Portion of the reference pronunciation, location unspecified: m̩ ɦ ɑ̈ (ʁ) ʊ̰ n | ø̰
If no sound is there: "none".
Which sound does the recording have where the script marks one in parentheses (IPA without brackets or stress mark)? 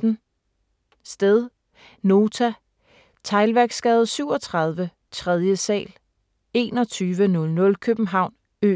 none